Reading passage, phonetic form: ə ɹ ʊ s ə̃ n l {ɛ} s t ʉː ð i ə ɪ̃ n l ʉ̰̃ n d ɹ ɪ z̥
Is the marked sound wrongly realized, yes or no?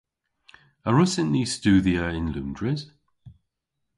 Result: yes